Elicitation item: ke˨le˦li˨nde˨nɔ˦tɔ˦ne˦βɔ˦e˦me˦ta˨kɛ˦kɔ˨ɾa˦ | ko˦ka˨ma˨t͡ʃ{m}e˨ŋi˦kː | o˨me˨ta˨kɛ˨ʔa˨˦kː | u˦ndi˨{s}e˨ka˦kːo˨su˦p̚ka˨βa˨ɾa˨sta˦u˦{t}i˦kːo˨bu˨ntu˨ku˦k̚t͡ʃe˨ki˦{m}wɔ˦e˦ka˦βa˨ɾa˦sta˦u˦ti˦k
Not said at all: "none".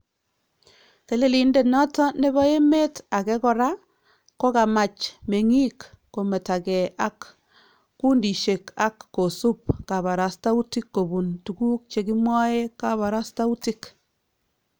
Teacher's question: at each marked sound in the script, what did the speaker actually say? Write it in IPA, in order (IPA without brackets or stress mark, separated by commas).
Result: m, ʃ, t, m